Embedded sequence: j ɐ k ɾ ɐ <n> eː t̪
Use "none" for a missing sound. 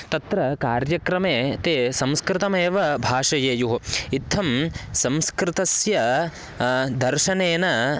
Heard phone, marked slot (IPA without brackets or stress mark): m